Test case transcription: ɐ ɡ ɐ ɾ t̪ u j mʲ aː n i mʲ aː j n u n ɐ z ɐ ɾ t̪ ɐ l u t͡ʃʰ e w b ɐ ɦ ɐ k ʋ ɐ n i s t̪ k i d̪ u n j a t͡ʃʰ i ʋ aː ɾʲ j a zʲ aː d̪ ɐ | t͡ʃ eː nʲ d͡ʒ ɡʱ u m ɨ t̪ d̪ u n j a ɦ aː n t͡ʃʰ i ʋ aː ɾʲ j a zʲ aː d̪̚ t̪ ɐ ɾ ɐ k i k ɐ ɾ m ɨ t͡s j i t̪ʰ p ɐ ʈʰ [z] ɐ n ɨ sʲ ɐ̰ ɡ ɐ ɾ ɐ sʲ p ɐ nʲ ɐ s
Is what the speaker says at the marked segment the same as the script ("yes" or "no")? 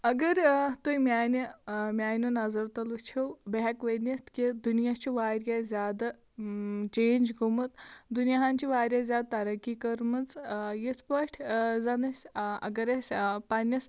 yes